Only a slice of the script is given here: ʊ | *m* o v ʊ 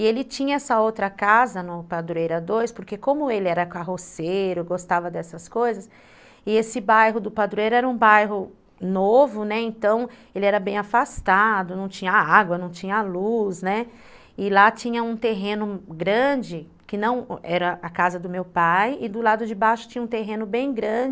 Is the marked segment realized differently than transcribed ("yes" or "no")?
yes